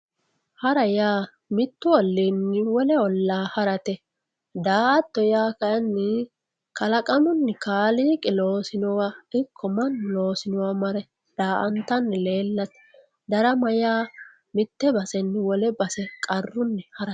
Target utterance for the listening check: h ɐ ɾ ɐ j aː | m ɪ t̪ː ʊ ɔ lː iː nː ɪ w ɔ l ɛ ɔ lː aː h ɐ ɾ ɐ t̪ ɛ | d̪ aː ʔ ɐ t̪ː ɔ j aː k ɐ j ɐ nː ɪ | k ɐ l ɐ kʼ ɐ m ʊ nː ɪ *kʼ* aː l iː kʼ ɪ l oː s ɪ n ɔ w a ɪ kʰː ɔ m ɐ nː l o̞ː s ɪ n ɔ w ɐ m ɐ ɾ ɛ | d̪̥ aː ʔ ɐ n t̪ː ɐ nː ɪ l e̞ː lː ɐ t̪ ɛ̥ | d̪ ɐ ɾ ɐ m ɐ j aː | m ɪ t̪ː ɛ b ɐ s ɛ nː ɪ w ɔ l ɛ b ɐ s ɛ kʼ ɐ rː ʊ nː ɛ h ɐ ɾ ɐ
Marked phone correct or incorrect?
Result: incorrect